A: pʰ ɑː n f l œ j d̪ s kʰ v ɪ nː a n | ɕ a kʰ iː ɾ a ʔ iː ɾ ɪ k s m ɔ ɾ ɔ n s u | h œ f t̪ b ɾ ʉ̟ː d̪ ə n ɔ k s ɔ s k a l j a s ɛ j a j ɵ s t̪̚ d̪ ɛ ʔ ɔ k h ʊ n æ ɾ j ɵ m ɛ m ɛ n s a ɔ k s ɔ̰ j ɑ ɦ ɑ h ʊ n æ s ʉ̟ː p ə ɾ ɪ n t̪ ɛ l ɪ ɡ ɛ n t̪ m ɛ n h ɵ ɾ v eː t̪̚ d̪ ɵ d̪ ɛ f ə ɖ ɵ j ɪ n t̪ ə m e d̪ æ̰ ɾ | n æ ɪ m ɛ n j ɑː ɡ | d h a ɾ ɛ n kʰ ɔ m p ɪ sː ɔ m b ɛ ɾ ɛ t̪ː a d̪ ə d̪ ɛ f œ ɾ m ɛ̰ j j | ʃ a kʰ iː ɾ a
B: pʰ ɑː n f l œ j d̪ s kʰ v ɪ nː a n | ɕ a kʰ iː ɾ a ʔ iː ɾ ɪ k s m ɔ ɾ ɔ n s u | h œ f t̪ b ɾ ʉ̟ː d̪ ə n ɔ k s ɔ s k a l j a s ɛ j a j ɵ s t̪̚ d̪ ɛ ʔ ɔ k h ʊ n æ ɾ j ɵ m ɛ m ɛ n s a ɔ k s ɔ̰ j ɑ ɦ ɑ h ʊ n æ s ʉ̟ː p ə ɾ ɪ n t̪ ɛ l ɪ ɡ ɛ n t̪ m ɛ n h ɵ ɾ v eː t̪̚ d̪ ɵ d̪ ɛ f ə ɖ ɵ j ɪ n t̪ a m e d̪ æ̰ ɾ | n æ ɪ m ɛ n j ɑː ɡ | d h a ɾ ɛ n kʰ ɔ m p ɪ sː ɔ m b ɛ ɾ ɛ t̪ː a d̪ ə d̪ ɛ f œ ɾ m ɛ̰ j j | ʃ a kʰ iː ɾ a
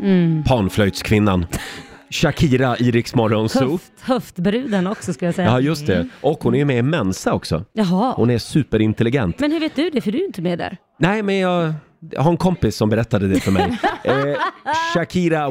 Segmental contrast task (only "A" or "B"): A